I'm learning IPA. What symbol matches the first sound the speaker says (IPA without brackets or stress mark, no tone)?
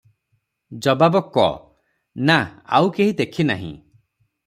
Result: d͡ʒ